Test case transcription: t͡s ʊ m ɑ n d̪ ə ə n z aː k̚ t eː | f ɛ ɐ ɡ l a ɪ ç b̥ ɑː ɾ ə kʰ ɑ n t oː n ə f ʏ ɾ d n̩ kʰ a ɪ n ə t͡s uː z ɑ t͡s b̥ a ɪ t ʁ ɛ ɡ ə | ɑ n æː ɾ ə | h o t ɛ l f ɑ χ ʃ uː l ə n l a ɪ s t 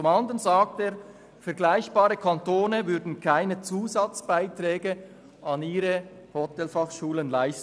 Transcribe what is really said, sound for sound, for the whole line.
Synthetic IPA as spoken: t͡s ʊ m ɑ n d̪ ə ə n z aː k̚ t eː | f ɛ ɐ ɡ l a ɪ ç b̥ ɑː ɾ ə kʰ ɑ n t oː n ə v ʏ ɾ d n̩ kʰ a ɪ n ə t͡s uː z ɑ t͡s b̥ a ɪ t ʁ ɛː ɡ ə | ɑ n iː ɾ ə | h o t ɛ l f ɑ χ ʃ uː l ə n l a ɪ s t